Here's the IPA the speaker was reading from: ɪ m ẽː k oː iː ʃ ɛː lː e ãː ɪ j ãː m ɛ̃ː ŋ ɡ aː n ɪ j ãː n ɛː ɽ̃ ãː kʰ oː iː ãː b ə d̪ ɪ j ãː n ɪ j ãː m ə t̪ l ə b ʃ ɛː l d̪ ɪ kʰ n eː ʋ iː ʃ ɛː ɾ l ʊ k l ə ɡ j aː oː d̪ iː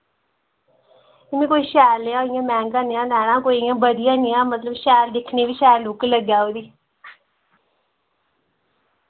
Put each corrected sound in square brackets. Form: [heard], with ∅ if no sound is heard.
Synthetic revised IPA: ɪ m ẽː k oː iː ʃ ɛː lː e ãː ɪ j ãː m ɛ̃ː ŋ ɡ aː n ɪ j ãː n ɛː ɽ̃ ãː [k] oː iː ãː b ə d̪ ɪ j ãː n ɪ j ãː m ə t̪ l ə b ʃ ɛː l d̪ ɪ kʰ n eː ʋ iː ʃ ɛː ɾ l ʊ k l ə ɡ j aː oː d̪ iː